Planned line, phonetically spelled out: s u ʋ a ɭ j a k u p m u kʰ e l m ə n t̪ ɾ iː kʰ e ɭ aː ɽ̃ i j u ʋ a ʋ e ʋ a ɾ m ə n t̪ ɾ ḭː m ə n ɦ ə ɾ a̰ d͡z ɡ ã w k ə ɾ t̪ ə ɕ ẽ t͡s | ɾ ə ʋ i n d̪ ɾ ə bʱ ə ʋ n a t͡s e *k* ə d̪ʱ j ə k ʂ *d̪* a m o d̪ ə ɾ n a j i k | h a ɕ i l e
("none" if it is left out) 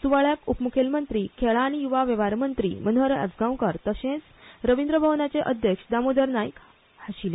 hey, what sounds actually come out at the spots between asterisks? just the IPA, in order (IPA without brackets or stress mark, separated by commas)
ʔ, d̪